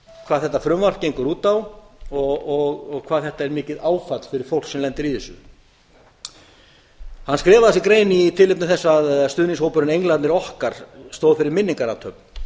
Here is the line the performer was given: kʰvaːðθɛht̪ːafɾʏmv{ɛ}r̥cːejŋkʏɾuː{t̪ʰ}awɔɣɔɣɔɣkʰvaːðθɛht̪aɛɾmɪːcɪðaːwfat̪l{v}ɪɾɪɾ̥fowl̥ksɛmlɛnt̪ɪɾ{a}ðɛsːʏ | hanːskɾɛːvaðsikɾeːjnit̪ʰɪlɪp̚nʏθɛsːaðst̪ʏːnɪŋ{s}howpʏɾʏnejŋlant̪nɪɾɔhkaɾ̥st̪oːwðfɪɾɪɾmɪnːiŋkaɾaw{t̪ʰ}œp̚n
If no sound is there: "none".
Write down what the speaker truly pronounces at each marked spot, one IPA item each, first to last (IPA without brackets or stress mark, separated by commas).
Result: a, t̪, f, i, s, t̪ʰ